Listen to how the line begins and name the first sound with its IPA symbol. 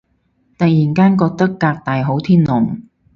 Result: t̪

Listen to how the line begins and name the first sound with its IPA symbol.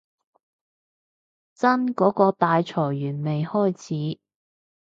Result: t͡s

